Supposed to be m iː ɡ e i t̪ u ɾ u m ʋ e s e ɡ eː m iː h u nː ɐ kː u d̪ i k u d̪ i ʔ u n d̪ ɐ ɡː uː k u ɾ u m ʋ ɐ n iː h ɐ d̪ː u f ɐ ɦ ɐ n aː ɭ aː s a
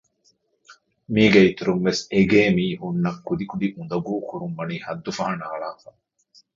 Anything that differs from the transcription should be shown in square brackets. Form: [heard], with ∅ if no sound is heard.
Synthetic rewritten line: m iː ɡ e i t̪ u ɾ u m ʋ e s e ɡ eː m iː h u nː ɐ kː u d̪ i k u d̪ i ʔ u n d̪ ɐ [ɡ] uː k u ɾ u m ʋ ɐ n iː h ɐ d̪ː u f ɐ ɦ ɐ n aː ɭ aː [f] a

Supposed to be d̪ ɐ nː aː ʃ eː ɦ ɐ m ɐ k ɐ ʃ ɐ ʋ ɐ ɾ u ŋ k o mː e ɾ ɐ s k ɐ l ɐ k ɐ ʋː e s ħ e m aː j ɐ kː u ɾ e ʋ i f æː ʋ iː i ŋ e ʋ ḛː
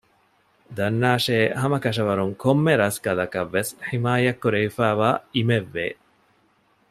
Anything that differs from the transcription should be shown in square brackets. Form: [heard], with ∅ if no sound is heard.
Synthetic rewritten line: d̪ ɐ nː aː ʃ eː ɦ ɐ m ɐ k ɐ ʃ ɐ ʋ ɐ ɾ u ŋ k o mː e ɾ ɐ s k ɐ l ɐ k ɐ ʋː e s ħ [i] m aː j ɐ kː u ɾ e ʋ i f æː ʋ [aː] i [m] e [ʋː] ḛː

